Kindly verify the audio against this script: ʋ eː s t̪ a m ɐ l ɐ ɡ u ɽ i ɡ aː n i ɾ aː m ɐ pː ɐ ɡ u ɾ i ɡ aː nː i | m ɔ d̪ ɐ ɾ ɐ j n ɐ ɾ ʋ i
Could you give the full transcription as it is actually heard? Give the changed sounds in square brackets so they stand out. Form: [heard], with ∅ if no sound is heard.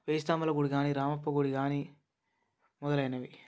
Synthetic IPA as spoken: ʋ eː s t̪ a m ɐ l ɐ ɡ u ɽ i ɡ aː n i ɾ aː m ɐ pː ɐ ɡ u [ɽ] i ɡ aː [n] i | m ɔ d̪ ɐ [l] ɐ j n ɐ [∅] ʋ i